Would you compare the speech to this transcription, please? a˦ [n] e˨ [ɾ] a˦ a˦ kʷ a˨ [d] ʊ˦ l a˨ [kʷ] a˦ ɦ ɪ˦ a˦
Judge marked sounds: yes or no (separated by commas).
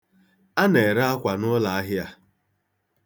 yes, yes, no, no